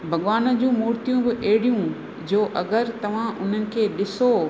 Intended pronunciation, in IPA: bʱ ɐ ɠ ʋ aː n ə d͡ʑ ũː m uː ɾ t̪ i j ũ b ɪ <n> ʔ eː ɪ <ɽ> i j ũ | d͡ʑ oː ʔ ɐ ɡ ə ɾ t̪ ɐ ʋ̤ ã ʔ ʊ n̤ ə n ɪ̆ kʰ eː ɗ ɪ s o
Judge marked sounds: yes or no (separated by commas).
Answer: no, yes